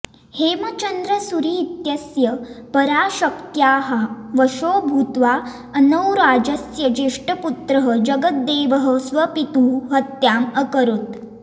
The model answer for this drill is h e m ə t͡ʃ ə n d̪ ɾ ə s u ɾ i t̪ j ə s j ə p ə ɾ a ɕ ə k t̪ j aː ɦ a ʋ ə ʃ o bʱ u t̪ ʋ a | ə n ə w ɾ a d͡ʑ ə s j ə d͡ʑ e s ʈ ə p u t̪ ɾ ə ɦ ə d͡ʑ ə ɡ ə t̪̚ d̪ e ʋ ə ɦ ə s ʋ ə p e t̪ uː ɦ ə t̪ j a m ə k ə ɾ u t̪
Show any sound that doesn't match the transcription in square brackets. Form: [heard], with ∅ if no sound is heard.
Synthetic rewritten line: h e m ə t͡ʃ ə n d̪ ɾ ə s u ɾ i t̪ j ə s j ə p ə ɾ a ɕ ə k t̪ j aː ɦ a ʋ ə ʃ o bʱ u t̪ ʋ a | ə n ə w ɾ a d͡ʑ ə s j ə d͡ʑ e [ʂ] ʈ ə p u t̪ ɾ ə ɦ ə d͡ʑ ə ɡ ə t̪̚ d̪ e ʋ ə ɦ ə s ʋ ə p [i] t̪ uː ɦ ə t̪ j a m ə k ə ɾ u t̪

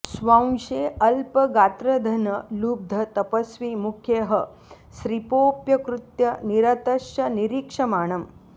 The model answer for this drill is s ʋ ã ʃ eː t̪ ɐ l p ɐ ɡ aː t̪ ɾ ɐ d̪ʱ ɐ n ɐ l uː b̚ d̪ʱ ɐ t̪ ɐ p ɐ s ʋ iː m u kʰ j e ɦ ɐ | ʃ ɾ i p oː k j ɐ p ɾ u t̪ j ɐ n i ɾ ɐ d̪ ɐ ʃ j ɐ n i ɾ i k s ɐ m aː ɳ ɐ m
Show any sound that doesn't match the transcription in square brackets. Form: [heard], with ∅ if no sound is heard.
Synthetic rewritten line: s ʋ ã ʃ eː [∅] ɐ l p ɐ ɡ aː t̪ ɾ ɐ d̪ʱ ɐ n ɐ l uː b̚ d̪ʱ ɐ t̪ ɐ p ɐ s ʋ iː m u kʰ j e ɦ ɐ | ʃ ɾ i p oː [p] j ɐ [k] ɾ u t̪ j ɐ n i ɾ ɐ [t̪] ɐ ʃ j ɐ n i ɾ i k [ʂ] ɐ m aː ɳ ɐ m

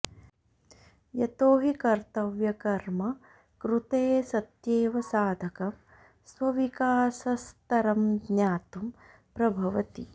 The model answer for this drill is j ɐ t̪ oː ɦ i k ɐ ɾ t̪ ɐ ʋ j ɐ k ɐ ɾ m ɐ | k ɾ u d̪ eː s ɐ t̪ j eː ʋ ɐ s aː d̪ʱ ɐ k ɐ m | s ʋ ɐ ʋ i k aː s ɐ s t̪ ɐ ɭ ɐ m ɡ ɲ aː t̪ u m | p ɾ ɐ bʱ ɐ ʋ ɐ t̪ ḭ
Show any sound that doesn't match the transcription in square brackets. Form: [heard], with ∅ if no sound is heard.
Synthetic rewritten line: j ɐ t̪ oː ɦ i k ɐ ɾ t̪ ɐ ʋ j ɐ k ɐ ɾ m ɐ | k ɾ u [t̪] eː s ɐ t̪ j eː ʋ ɐ s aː d̪ʱ ɐ k ɐ m | s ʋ ɐ ʋ i k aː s ɐ s t̪ ɐ [ɾ] ɐ m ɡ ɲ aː t̪ u m | p ɾ ɐ bʱ ɐ ʋ ɐ t̪ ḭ

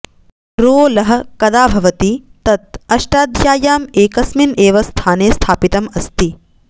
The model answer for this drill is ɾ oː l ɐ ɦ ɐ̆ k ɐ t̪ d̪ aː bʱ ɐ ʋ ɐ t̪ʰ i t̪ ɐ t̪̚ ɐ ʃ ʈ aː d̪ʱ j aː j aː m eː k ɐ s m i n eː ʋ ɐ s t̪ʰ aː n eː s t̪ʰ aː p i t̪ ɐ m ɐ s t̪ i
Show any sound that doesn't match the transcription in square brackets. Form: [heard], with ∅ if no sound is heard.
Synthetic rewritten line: ɾ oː l ɐ ɦ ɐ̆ k ɐ [∅] d̪ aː bʱ ɐ ʋ ɐ [t̪] i t̪ ɐ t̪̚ ɐ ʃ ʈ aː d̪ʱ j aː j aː m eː k ɐ s m i n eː ʋ ɐ s t̪ʰ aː n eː s t̪ʰ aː p i t̪ ɐ m ɐ s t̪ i

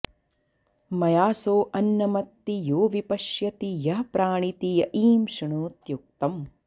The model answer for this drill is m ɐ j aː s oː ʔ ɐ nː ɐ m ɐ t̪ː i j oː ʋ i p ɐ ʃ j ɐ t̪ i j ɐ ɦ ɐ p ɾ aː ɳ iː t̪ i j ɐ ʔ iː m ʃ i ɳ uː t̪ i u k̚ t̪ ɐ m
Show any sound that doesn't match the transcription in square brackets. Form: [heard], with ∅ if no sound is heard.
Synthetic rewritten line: m ɐ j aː s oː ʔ ɐ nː ɐ m ɐ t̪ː i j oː ʋ i p ɐ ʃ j ɐ t̪ i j ɐ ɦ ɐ p ɾ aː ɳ [i] t̪ i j ɐ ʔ iː m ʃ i ɳ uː t̪ [j] u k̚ t̪ ɐ m

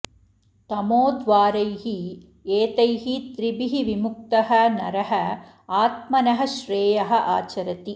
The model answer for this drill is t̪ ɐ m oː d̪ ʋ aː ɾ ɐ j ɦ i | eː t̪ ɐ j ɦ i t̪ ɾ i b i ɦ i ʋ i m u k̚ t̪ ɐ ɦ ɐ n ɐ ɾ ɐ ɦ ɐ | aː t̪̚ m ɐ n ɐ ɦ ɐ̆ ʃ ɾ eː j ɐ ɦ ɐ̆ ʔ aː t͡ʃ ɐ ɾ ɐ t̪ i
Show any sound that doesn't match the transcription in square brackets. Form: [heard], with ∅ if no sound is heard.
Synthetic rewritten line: t̪ ɐ m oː d̪ ʋ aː ɾ ɐ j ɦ i | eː t̪ ɐ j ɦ i t̪ ɾ i b i ɦ i ʋ i m u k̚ t̪ ɐ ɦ ɐ n ɐ ɾ ɐ ɦ ɐ | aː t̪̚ m ɐ n ɐ ɦ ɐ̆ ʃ ɾ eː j ɐ ɦ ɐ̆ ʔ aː t͡ʃ ɐ ɾ ɐ t̪ i

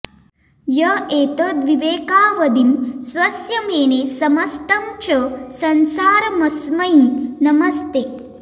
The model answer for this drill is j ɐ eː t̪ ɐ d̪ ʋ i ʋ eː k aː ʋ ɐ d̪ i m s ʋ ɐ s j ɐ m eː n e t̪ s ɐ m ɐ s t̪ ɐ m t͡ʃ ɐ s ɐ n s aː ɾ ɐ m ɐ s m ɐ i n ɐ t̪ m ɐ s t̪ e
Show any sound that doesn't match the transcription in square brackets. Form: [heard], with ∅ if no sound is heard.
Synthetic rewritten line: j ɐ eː t̪ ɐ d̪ ʋ i ʋ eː k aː ʋ ɐ d̪ i m s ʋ ɐ s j ɐ m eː n e [∅] s ɐ m ɐ s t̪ ɐ m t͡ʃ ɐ s ɐ n s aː ɾ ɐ m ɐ s m ɐ i n ɐ [∅] m ɐ s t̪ e

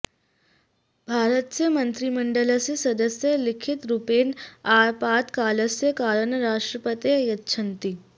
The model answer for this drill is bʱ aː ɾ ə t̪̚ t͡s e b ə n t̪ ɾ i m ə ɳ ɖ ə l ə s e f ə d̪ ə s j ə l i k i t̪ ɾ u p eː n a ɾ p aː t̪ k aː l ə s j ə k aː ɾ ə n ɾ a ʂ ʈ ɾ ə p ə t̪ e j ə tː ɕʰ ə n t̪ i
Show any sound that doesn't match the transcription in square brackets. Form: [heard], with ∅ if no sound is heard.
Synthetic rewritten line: bʱ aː ɾ ə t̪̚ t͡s e [m] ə n t̪ ɾ i m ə ɳ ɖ ə l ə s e [s] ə d̪ ə s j ə l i [kʰ] i t̪ ɾ u p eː n a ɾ p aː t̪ k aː l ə s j ə k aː ɾ ə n ɾ a ʂ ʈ ɾ ə p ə t̪ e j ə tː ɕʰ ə n t̪ i

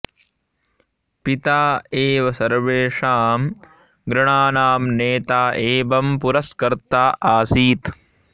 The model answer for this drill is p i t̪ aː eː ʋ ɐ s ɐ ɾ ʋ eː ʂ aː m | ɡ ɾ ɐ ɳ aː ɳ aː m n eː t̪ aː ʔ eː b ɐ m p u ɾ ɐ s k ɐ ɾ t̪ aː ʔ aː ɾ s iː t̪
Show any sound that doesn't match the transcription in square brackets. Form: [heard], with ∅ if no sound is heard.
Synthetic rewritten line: p i t̪ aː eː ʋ ɐ s ɐ ɾ ʋ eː ʂ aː m | ɡ ɾ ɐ ɳ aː [n] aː m n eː t̪ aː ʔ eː b ɐ m p u ɾ ɐ s k ɐ ɾ t̪ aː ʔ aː [∅] s iː t̪

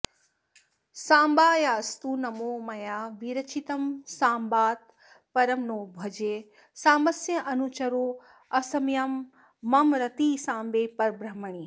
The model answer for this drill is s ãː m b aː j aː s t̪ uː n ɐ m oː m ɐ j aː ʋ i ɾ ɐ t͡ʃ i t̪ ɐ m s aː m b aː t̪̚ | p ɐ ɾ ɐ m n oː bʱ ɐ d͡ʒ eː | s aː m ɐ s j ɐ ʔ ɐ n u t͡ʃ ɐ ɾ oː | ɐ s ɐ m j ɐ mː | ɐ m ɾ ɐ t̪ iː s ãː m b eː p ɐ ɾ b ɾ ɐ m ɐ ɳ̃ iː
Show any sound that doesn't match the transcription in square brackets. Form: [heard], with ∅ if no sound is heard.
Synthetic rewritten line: s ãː m b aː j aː s t̪ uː n ɐ m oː m ɐ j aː ʋ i ɾ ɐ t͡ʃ i t̪ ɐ m s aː m b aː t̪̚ | p ɐ ɾ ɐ m n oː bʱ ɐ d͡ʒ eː | s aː m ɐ s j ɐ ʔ ɐ n u t͡ʃ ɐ ɾ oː | ɐ s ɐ m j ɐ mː | ɐ m ɾ ɐ t̪ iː s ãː m b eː p ɐ ɾ b ɾ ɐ m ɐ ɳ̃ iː

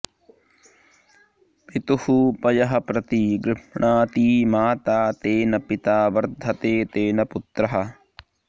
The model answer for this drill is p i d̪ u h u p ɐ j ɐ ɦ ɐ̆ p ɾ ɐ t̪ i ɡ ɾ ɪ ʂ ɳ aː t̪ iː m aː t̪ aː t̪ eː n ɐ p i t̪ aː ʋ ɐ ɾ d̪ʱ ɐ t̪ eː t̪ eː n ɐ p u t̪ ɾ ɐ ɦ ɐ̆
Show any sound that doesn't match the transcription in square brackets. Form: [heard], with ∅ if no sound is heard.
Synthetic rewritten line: p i [t̪] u h u p ɐ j ɐ ɦ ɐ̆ p ɾ ɐ t̪ i ɡ ɾ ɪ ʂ ɳ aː t̪ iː m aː t̪ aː t̪ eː n ɐ p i t̪ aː ʋ ɐ ɾ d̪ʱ ɐ t̪ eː t̪ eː n ɐ p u t̪ ɾ ɐ ɦ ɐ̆

